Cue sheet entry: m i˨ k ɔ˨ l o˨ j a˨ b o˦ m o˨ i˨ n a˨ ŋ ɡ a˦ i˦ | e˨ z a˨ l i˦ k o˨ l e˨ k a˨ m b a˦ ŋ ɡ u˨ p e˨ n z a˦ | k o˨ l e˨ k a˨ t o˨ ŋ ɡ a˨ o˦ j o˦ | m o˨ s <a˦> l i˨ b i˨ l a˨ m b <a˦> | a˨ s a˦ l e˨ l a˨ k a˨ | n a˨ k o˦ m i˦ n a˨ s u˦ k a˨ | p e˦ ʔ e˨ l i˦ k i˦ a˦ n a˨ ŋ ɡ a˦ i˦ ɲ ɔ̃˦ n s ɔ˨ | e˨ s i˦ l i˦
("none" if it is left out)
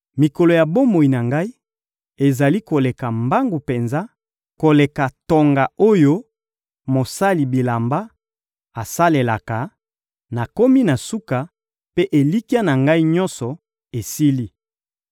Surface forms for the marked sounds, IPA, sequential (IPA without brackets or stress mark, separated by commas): a˦, a˦